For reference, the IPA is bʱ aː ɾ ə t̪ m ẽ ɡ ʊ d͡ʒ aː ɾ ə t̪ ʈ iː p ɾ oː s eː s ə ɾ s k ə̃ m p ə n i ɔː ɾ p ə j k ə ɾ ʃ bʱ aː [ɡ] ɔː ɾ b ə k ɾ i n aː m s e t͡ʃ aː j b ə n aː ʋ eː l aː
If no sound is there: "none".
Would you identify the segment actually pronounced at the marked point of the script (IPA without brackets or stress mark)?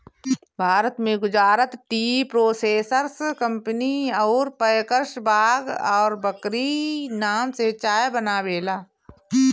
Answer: ɡ